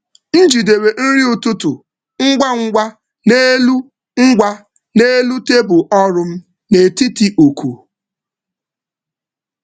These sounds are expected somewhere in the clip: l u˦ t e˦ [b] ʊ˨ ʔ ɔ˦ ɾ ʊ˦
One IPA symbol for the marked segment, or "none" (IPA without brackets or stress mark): b